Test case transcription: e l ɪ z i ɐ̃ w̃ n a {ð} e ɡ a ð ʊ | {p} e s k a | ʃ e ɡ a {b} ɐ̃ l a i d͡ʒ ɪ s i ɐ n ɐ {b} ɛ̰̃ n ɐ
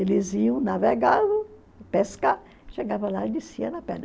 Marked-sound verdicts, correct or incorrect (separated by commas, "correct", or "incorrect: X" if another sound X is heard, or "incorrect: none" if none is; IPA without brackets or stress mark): incorrect: v, correct, incorrect: v, incorrect: p